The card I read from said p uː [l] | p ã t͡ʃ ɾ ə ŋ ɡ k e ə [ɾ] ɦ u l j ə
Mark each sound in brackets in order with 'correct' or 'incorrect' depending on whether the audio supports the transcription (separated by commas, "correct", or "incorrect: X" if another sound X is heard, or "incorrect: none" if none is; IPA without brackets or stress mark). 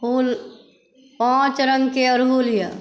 correct, correct